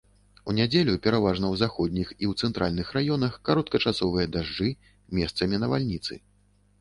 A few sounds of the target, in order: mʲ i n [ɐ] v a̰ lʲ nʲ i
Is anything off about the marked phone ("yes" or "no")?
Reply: no